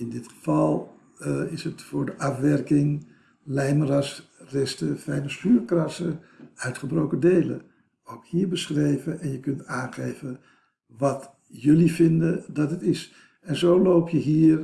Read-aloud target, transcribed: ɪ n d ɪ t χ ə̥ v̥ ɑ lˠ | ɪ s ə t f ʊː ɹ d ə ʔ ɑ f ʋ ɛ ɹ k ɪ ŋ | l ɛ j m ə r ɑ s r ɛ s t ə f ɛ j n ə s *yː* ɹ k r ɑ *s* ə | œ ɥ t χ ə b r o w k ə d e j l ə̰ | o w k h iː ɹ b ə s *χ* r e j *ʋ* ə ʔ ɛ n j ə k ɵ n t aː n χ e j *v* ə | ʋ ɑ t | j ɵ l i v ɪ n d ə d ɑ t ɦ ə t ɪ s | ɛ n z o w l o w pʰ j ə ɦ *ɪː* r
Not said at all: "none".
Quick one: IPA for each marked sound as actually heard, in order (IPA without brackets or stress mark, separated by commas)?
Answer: yː, s, χ, v, v, iː